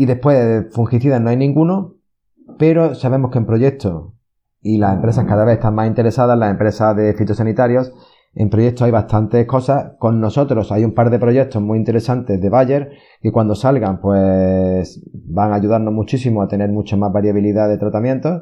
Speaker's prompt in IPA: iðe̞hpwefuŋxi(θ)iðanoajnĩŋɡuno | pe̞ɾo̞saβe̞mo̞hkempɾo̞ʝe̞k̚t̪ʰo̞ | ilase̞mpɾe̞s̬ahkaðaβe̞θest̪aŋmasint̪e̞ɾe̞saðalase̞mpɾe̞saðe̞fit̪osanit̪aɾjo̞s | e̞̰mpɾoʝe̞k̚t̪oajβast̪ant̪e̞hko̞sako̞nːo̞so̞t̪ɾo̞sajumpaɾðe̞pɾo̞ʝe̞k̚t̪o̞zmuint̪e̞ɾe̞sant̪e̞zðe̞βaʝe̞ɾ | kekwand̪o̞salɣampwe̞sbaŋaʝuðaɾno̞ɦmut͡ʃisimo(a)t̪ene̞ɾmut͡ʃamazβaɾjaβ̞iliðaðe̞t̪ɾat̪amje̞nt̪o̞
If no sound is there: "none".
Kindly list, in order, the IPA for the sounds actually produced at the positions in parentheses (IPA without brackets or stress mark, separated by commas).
θ, a